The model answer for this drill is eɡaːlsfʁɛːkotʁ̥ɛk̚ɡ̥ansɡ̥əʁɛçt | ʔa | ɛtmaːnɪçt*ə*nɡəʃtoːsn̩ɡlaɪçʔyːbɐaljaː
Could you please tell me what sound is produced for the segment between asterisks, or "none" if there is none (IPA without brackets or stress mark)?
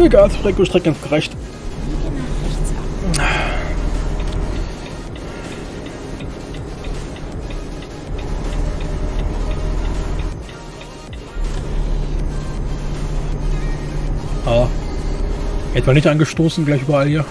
a